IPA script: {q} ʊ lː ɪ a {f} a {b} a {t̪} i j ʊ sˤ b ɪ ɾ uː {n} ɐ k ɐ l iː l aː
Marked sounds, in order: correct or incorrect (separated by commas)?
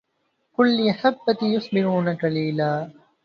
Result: incorrect, incorrect, incorrect, correct, correct